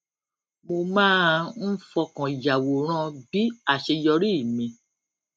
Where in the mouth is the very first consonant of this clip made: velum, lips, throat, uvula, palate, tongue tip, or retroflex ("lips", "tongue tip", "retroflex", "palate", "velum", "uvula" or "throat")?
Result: lips